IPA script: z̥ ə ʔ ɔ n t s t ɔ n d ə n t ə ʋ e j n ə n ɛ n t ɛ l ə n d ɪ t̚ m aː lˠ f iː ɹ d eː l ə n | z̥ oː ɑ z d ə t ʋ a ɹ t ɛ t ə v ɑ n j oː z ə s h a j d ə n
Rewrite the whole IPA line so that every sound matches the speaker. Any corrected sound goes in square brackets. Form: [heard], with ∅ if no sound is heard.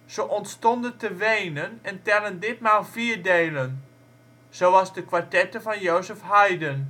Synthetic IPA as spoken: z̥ ə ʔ ɔ n t s t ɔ n d ə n t ə ʋ e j n ə n ɛ n t ɛ l ə n d ɪ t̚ m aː lˠ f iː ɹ d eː l ə n | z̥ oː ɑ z d ə [k] ʋ a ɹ t ɛ t ə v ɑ n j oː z ə [f] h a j d ə n